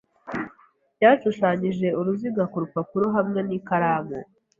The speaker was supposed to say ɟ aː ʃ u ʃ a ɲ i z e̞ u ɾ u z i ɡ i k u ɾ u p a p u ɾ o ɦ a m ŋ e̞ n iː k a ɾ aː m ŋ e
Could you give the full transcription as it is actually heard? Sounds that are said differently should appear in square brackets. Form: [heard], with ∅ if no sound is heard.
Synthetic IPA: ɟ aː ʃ u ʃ a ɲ i [ʒ] e̞ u ɾ u z i ɡ [a] k u ɾ u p a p u ɾ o ɦ a m ŋ e̞ n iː k a ɾ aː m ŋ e

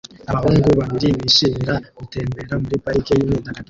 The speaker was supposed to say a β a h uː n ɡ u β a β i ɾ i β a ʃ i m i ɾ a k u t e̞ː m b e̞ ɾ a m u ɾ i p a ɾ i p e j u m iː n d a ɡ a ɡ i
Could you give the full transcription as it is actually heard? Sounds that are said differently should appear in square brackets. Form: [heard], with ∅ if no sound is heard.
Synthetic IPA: a β a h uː [ŋ] ɡ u β a β i ɾ i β [i] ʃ i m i ɾ a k u t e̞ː m b e̞ ɾ a m u ɾ i p a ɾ i [k] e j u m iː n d a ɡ a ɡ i

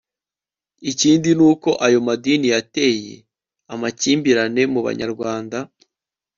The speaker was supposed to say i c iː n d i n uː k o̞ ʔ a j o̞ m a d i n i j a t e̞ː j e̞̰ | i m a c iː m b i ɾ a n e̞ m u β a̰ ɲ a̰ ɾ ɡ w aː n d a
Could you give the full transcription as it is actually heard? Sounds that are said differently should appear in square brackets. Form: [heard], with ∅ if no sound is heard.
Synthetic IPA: i c iː n d i n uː k o̞ ʔ a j o̞ m a d i n i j a t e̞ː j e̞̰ | [a] m a c iː m b i ɾ a n e̞ m u β a̰ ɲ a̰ ɾ ɡ w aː n d a

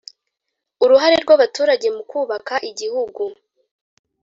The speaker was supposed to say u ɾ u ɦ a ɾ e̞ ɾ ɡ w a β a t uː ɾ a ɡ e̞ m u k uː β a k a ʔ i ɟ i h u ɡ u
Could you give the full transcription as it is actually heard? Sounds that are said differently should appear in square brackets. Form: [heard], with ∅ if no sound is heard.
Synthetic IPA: u ɾ u ɦ a ɾ e̞ ɾ ɡ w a β a t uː ɾ a [ɟ] e̞ m u k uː β a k a ʔ i ɟ i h u ɡ u

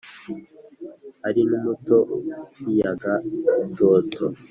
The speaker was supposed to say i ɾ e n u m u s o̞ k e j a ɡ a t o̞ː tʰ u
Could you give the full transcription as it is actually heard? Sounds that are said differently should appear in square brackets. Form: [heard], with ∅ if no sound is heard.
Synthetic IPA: [a] ɾ [i] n u m u [t] o̞ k [i] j a ɡ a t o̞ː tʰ [o]

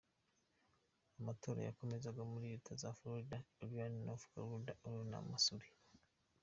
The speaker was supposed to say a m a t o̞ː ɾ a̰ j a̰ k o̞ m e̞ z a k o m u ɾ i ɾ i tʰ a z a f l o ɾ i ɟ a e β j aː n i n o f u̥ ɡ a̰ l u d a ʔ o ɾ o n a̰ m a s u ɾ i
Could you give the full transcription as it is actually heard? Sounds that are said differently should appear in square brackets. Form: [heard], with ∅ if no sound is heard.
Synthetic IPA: a m a t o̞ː ɾ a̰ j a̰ k o̞ m e̞ z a [ɡ] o m u ɾ i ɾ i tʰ a z a f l o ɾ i [d] a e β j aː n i n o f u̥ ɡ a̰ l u d a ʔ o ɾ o n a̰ m a s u ɾ i

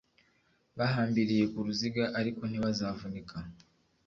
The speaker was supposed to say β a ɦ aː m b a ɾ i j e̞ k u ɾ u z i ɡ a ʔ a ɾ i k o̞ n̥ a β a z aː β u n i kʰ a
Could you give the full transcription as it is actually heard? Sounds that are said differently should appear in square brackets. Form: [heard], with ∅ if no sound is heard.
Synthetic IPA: β a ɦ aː m b [i] ɾ i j e̞ k u ɾ u z i ɡ a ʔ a ɾ i k o̞ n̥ [i] β a z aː [v] u n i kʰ a

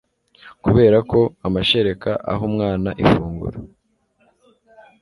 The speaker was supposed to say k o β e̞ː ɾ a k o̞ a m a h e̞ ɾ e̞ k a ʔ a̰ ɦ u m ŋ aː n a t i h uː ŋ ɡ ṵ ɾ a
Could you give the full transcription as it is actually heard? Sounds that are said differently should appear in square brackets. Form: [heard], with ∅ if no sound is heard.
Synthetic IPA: k [u] β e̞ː ɾ a k o̞ a m a [ʃ] e̞ ɾ e̞ k a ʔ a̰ ɦ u m ŋ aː n a [ʔ] i [f] uː ŋ ɡ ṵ ɾ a

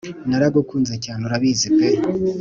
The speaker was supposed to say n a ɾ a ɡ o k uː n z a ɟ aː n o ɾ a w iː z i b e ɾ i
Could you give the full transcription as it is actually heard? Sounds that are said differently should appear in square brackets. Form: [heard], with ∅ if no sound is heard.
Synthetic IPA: n a ɾ a ɡ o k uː n z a [c] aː n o ɾ a [β] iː z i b e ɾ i

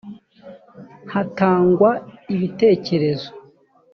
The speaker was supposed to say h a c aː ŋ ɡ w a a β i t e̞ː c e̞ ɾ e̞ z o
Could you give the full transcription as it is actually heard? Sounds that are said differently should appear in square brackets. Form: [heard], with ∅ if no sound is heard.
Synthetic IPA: h a [t] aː ŋ ɡ w a [i] β i t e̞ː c e̞ ɾ e̞ z o

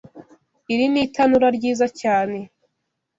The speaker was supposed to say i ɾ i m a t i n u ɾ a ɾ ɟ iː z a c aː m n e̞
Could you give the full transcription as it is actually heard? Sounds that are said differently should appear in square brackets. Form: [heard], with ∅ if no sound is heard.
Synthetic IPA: i ɾ i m [i] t [a] n u ɾ a ɾ ɟ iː z a c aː [∅] n e̞

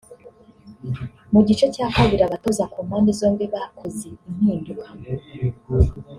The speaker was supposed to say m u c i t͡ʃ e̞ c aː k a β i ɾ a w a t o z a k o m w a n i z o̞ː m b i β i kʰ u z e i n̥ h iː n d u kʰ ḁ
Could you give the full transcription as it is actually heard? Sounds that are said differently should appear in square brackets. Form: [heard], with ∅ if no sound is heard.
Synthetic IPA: m u [ɟ] i t͡ʃ e̞ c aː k a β i ɾ a [β] a t o z a k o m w a n i z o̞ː m b i β [a] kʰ [o] z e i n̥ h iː n d u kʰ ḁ

